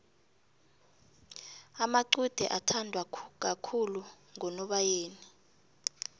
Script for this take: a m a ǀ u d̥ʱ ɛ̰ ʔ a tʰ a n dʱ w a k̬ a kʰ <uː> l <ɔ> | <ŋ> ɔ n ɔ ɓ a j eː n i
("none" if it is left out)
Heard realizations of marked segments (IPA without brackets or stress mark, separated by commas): u, u, ŋ